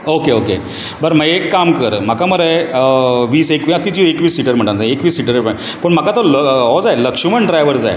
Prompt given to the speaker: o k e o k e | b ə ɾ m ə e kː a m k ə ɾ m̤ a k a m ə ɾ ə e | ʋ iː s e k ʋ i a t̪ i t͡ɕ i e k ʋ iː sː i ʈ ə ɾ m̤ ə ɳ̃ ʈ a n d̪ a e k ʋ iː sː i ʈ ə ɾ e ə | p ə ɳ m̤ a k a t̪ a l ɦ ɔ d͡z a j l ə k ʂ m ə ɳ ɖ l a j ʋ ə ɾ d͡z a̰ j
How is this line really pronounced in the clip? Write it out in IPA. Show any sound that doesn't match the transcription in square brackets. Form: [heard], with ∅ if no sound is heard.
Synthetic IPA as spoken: o k e o k e | b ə ɾ m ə e kː a m k ə ɾ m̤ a k a m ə ɾ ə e | ʋ iː s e k ʋ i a t̪ i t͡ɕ i e k ʋ iː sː i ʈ ə ɾ m̤ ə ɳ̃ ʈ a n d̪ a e k ʋ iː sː i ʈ ə ɾ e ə | p ə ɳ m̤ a k a t̪ [ə] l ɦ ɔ d͡z a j l ə k ʂ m ə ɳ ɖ [ɾ] a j ʋ ə ɾ d͡z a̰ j

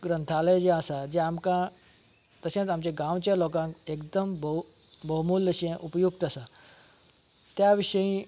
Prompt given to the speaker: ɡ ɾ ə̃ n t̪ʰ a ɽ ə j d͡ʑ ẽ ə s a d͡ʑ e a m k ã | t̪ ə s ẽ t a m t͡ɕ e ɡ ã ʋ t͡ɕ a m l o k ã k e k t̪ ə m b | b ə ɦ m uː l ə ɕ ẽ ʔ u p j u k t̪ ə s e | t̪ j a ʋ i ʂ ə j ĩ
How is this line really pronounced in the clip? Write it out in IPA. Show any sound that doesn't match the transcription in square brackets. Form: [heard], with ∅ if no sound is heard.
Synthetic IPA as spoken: ɡ ɾ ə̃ n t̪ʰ a [l] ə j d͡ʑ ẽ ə s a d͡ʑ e a m k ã | t̪ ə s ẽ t a m t͡ɕ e ɡ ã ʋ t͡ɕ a [∅] l o k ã k e k [d̪] ə m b | b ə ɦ m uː l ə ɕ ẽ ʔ u p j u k t̪ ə s [a] | t̪ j a ʋ i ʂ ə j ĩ

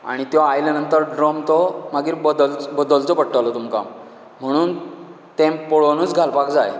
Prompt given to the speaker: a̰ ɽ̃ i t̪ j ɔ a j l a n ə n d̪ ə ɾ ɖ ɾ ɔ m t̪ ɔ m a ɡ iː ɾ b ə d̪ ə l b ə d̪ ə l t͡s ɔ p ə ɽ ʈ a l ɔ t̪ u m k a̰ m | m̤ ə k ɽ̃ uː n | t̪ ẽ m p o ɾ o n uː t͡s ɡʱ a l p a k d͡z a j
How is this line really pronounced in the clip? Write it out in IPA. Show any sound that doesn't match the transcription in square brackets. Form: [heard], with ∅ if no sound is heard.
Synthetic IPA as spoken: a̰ ɽ̃ i t̪ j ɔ a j l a n ə n [t̪] ə ɾ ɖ ɾ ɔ m t̪ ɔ m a ɡ iː ɾ b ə d̪ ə l b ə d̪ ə l t͡s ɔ p ə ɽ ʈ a l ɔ t̪ u m k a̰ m | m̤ ə [∅] ɽ̃ uː n | t̪ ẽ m p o [ɭ] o n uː t͡s ɡʱ a l p a k d͡z a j

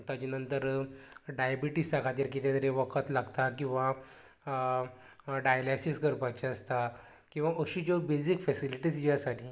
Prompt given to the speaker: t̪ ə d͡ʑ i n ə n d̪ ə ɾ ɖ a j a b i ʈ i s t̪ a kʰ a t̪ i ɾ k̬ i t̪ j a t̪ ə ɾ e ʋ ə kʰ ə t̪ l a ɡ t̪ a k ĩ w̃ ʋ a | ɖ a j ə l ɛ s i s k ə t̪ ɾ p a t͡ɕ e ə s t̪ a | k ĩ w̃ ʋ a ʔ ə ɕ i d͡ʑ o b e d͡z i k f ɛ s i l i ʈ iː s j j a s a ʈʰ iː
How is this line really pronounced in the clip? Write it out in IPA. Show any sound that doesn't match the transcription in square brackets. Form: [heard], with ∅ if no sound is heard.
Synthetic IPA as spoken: t̪ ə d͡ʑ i n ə n [t̪] ə ɾ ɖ a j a b i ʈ i s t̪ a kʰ a t̪ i ɾ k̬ i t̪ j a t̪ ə ɾ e ʋ ə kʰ ə t̪ l a ɡ t̪ a k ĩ w̃ ʋ a | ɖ a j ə l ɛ s i s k ə [∅] ɾ p a t͡ɕ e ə s t̪ a | k ĩ w̃ ʋ a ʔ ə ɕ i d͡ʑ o b e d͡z i k f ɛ s i l i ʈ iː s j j a s a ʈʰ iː

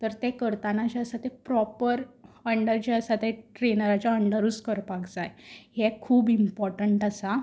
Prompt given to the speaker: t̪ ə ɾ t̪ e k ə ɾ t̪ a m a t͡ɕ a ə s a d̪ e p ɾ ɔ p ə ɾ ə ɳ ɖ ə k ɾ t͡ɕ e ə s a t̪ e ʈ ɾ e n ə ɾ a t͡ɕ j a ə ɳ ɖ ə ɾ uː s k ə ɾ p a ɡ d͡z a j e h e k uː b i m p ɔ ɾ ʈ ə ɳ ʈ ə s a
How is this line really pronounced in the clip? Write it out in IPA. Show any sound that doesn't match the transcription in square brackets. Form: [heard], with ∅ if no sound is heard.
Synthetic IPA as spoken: t̪ ə ɾ t̪ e k ə ɾ t̪ a [n] a t͡ɕ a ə s a [t̪] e p ɾ ɔ p ə ɾ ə ɳ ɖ ə [∅] ɾ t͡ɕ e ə s a t̪ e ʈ ɾ e n ə ɾ a t͡ɕ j a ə ɳ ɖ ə ɾ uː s k ə ɾ p a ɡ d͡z a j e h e [kʰ] uː b i m p ɔ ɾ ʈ ə ɳ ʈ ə s a

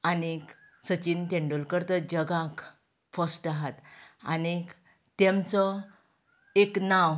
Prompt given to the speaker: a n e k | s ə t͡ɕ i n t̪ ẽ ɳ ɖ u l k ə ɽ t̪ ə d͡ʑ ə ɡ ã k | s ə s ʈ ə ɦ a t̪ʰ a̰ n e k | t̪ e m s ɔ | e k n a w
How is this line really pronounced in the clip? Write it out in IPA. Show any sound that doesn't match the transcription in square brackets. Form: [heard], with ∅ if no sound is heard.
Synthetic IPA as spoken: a n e k | s ə t͡ɕ i n t̪ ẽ ɳ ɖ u l k ə [ɾ] t̪ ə d͡ʑ ə ɡ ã k | [f] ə s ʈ [a] ɦ a [t̪] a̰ n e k | t̪ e m [t͡s] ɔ | e k n a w

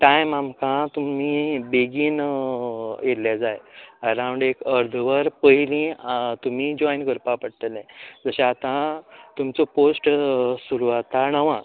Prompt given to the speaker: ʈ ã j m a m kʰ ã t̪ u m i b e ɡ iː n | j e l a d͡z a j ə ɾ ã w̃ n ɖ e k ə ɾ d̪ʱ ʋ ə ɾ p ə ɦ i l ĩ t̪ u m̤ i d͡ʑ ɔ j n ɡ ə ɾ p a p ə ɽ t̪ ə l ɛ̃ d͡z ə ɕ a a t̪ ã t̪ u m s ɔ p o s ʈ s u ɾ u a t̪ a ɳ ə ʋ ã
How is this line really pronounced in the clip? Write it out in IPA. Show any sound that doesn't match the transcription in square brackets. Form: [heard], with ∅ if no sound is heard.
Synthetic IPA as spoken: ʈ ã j m a m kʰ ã t̪ u m i b e ɡ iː n | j e l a d͡z a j ə ɾ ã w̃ [ɳ] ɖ e k ə ɾ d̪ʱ ʋ ə ɾ p ə ɦ i l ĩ t̪ u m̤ i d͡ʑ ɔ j n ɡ ə ɾ p a p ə ɽ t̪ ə l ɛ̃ d͡z ə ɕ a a t̪ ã t̪ u m [t͡s] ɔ p o s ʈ s u ɾ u a t̪ a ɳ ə ʋ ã

